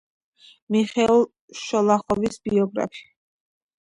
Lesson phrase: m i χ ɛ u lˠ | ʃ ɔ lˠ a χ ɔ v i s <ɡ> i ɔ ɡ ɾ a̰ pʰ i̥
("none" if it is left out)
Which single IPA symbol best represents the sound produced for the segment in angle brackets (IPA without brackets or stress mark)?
b